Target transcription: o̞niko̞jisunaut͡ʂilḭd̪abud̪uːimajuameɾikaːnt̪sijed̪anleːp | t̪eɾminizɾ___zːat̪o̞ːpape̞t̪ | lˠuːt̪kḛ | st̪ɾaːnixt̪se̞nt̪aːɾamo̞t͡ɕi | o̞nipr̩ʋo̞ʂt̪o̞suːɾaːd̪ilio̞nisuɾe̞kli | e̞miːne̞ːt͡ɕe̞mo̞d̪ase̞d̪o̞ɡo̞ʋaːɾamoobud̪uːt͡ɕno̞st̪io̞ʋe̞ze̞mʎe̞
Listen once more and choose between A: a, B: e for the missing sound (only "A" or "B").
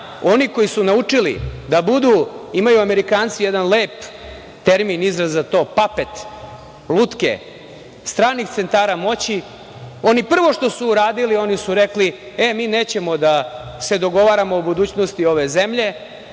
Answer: A